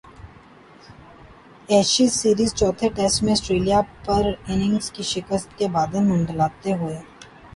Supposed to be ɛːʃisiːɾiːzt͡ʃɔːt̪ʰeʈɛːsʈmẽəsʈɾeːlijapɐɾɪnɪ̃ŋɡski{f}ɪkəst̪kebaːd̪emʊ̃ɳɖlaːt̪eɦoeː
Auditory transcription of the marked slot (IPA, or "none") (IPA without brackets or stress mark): ʃ